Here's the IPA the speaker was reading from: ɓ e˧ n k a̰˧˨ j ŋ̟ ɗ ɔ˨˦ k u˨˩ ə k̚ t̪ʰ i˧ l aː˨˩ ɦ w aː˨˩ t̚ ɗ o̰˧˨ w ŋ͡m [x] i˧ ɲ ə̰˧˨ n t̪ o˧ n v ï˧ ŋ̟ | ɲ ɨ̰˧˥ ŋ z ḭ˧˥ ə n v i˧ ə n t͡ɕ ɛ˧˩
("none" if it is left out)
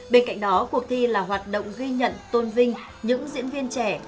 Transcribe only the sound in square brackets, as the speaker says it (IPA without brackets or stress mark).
ɣ